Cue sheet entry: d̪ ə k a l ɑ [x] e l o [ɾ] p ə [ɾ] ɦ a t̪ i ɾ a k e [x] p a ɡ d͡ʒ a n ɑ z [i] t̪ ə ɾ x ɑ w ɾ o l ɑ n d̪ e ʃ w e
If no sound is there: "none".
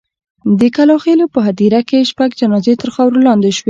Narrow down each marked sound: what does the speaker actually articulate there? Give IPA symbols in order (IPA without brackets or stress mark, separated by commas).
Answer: x, none, none, ʃ, e